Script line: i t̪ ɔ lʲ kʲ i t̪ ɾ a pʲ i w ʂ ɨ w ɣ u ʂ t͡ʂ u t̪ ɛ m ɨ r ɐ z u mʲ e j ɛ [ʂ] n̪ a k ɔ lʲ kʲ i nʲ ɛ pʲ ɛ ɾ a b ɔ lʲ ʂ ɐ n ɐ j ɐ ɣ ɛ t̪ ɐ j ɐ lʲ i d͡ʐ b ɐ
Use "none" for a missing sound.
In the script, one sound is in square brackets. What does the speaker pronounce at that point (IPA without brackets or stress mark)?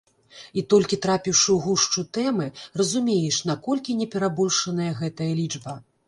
ʂ